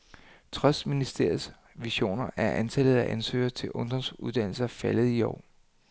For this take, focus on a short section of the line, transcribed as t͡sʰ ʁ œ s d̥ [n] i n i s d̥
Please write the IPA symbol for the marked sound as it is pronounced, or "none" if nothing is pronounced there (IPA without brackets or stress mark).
m